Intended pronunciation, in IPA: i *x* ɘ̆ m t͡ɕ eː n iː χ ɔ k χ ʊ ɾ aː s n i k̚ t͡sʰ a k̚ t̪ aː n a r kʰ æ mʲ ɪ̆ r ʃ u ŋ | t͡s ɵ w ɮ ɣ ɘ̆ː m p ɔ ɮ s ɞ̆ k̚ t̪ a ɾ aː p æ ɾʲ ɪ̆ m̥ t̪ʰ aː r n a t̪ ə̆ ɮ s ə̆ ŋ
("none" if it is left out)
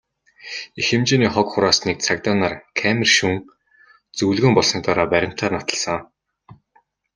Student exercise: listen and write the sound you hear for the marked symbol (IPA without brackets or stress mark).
x